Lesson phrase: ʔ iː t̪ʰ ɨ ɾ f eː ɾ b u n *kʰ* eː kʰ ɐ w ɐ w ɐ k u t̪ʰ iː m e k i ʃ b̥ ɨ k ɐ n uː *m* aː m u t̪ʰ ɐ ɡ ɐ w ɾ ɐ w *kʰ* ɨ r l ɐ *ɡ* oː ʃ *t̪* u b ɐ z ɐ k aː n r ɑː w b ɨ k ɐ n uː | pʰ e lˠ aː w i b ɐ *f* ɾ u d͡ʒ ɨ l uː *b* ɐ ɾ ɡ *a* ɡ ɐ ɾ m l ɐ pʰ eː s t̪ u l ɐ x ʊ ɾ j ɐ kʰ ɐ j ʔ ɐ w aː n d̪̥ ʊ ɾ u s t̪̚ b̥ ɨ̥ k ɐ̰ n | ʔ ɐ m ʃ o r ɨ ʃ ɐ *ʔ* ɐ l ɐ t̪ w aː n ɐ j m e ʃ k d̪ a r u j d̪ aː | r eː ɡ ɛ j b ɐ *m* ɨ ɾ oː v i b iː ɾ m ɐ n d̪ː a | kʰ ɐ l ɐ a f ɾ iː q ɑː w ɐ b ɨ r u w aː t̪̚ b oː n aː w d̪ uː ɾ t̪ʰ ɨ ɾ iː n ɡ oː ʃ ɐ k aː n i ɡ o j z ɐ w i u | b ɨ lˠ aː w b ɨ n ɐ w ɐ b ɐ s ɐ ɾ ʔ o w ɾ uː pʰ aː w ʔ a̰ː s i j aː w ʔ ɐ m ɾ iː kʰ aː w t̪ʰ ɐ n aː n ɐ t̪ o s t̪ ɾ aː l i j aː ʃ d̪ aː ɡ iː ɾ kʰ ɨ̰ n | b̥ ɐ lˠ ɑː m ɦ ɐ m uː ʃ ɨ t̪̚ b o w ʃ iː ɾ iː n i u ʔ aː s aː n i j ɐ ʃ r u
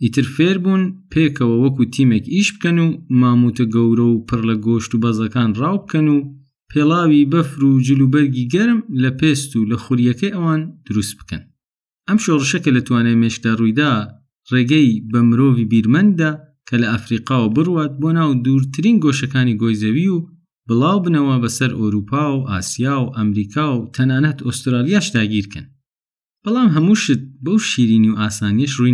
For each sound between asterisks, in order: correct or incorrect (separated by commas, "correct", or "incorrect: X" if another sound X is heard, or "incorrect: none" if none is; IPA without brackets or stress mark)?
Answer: incorrect: pʰ, correct, incorrect: pʰ, correct, correct, correct, correct, incorrect: i, incorrect: k, correct